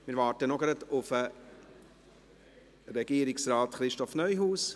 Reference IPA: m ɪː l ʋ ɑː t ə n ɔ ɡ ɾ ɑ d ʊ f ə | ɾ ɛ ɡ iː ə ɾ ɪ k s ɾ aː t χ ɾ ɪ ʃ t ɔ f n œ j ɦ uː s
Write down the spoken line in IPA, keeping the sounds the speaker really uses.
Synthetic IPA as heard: m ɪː ɾ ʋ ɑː t ə n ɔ ɡ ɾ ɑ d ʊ f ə | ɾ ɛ ɡ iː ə ɾ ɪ k s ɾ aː t χ ɾ ɪ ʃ t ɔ f n œ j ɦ uː s